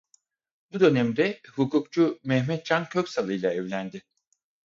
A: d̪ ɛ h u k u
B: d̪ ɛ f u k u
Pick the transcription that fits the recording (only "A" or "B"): A